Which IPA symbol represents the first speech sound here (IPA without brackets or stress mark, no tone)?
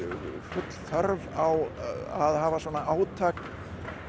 f